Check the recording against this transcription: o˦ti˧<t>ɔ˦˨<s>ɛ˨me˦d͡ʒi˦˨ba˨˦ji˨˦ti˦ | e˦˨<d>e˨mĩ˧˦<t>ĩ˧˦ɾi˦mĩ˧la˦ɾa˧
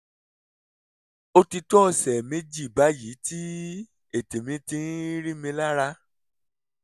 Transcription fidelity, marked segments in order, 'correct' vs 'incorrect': correct, correct, incorrect: t, correct

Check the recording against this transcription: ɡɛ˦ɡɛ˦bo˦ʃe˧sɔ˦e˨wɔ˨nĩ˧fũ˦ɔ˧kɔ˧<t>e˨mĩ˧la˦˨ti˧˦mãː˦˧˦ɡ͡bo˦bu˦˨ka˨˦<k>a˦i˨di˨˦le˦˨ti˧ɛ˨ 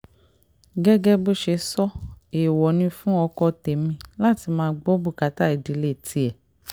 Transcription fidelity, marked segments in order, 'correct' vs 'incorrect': correct, incorrect: t

